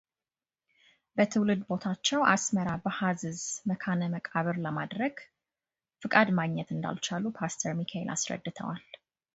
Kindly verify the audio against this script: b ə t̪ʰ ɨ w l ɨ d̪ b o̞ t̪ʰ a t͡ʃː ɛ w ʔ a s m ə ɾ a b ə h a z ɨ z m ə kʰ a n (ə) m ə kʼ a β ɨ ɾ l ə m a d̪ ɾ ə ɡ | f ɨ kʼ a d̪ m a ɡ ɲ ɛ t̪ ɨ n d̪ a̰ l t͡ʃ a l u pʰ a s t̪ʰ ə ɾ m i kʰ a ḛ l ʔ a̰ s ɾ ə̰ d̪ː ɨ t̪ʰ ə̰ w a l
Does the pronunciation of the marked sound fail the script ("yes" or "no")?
no